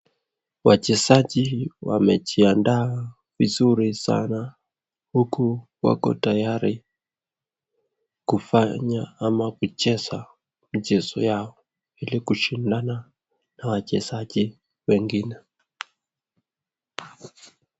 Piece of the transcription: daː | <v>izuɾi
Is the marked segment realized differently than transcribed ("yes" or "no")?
no